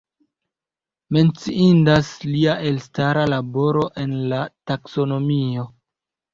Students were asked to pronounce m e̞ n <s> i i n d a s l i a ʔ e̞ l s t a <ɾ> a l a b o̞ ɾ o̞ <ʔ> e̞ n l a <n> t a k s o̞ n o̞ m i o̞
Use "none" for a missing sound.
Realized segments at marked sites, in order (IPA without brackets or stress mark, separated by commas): t͡s, ɾ, ʔ, none